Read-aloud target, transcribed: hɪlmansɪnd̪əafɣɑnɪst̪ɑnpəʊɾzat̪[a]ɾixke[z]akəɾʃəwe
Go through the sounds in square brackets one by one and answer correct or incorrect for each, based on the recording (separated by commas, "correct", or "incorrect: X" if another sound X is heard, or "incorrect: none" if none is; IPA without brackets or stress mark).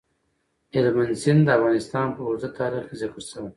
incorrect: ɑ, correct